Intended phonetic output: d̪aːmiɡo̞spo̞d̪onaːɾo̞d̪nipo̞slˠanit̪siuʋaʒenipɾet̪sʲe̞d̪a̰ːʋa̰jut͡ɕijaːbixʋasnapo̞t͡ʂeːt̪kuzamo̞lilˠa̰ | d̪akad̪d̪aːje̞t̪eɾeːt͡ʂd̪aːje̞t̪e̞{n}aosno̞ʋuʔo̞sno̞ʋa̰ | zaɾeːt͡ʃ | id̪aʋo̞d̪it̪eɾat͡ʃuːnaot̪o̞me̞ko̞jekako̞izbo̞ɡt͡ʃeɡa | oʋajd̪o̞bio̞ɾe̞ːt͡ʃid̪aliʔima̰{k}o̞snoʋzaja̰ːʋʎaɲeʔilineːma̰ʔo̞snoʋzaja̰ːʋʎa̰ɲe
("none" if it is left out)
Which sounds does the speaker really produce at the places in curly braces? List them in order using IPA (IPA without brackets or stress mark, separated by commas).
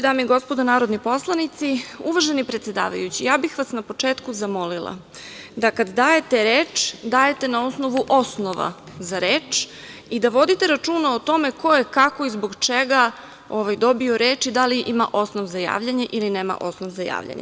n, ʔ